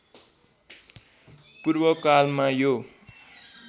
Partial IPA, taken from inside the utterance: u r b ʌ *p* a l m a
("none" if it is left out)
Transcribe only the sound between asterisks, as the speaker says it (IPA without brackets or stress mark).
k